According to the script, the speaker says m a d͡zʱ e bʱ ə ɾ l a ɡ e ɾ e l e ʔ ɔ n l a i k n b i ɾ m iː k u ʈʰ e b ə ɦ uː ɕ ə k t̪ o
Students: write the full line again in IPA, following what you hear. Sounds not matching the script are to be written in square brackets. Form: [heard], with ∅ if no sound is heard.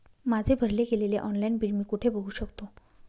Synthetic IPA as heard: m a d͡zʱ e bʱ ə ɾ l [e] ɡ e [l] e l e ʔ ɔ n l a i [∅] n b i [l] m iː k u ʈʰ e b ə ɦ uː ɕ ə k t̪ o

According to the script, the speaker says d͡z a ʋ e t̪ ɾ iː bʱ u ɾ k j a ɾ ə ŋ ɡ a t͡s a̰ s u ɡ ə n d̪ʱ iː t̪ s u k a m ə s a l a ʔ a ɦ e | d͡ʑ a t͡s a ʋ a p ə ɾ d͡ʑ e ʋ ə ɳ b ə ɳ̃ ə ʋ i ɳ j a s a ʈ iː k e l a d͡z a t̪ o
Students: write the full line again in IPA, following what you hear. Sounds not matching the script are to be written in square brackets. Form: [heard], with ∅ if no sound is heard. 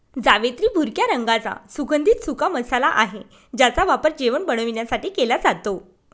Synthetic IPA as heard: d͡z a ʋ e t̪ ɾ iː bʱ u ɾ k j a ɾ ə ŋ ɡ a t͡s a̰ s u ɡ ə n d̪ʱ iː t̪ s u k a m ə s a l a ʔ a ɦ e | d͡ʑ a t͡s a ʋ a p ə ɾ d͡ʑ e ʋ ə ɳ b ə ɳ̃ ə ʋ i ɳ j a s a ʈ iː k e l a d͡z a t̪ o

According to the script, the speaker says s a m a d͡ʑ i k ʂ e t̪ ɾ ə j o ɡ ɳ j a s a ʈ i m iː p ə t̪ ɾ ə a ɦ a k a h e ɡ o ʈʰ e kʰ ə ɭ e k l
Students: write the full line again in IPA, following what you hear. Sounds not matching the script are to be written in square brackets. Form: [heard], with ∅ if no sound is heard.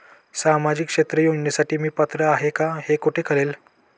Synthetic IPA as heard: s a m a d͡ʑ i k ʂ e t̪ ɾ ə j o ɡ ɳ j a s a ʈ [iː] m iː p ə t̪ ɾ ə a ɦ [e] k a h e [k] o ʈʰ e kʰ ə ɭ e [∅] l

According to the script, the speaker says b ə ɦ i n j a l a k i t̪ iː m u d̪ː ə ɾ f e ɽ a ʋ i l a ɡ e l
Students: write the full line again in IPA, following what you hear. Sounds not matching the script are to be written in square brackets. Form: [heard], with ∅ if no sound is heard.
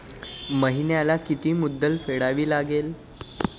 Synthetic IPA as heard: [m] ə ɦ i n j a l a k i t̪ iː m u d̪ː ə [l] f e ɽ a ʋ [iː] l a ɡ e l

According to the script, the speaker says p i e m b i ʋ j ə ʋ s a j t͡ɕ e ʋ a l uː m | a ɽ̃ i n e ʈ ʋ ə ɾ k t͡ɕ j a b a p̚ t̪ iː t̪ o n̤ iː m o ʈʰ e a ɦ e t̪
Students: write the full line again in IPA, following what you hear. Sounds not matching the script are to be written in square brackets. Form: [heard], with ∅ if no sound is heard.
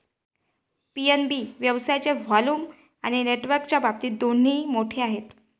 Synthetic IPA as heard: p i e [n] b i ʋ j ə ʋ s a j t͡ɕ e ʋ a l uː m | a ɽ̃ i n e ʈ ʋ ə ɾ k t͡ɕ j a b a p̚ t̪ iː [d̪] o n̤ iː m o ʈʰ e a ɦ e t̪

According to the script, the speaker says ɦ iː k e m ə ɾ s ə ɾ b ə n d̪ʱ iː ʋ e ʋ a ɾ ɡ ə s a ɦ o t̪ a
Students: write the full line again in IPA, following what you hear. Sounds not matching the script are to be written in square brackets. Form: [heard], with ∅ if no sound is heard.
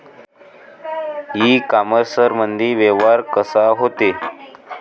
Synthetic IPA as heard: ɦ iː k [a] m ə ɾ s ə ɾ [m] ə n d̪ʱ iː ʋ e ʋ a ɾ [k] ə s a ɦ o t̪ [e]

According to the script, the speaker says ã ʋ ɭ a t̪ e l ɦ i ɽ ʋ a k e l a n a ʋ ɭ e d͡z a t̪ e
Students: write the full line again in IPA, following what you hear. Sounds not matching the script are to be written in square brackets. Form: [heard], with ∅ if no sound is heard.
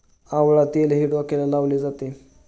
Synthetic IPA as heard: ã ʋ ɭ a t̪ e l ɦ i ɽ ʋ a k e l a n a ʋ [l] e d͡z a t̪ e

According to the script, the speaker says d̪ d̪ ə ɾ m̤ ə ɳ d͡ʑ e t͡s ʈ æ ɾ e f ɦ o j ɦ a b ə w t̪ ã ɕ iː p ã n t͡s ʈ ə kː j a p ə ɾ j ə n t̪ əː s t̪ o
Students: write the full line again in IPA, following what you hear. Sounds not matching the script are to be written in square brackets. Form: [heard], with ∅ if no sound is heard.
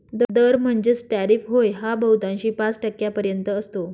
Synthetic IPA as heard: d̪ d̪ ə ɾ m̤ ə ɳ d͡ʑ e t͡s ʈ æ ɾ [i] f ɦ o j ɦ a b ə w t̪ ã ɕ iː p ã [∅] t͡s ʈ ə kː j a p ə ɾ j ə n t̪ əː s t̪ o

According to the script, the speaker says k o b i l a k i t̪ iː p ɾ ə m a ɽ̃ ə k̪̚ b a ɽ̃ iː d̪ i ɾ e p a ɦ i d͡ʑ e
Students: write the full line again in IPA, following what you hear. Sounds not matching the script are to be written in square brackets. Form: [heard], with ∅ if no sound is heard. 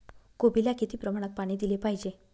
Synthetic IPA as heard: k o b i l a k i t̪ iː p ɾ ə m a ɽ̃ ə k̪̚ [p] a ɽ̃ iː d̪ i [l] e p a ɦ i d͡ʑ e

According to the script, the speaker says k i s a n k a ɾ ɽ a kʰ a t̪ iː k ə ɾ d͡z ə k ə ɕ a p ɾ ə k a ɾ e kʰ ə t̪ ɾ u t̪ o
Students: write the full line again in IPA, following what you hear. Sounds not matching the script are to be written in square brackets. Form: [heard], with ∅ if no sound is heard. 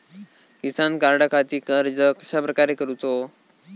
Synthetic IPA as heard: k i s a n k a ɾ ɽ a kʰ a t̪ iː k ə ɾ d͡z ə k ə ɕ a p ɾ ə k a ɾ e [k] ə [∅] ɾ u t̪ o

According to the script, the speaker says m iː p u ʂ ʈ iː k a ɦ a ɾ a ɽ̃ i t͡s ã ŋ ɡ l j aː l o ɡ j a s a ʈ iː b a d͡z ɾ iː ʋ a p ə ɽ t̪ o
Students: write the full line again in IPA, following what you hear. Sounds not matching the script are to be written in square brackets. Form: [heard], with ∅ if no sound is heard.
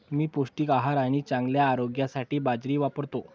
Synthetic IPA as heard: m iː p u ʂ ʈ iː k a ɦ a ɾ a ɽ̃ i t͡s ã ŋ ɡ l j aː [ɾ] o ɡ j a s a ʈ iː b a d͡z ɾ iː ʋ a p ə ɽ t̪ o

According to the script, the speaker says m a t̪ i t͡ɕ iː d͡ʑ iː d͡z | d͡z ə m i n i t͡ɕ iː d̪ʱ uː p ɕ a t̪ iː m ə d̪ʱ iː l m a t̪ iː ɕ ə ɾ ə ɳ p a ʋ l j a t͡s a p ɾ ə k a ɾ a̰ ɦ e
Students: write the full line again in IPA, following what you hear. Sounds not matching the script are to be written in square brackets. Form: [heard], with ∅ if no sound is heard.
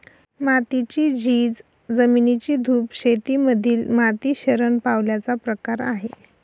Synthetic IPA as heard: m a t̪ i t͡ɕ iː d͡ʑ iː d͡z | d͡z ə m i n i t͡ɕ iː d̪ʱ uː p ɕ [e] t̪ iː m ə d̪ʱ iː l m a t̪ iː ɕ ə ɾ ə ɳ p a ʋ l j a t͡s a p ɾ ə k a ɾ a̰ ɦ e

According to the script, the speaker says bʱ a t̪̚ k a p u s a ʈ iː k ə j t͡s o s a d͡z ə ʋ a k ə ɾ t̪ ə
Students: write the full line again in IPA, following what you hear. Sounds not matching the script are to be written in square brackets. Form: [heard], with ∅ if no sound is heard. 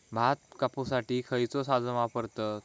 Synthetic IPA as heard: bʱ a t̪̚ k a p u s a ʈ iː [kʰ] ə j t͡s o s a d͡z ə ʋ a [p] ə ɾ t̪ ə

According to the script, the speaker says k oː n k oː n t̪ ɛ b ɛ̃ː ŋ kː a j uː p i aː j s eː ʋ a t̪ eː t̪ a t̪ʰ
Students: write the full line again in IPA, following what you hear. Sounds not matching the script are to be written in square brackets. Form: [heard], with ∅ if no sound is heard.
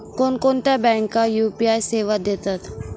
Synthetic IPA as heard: k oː n k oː n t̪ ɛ b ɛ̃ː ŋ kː a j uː p i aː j s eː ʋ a [d̪] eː t̪ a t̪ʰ

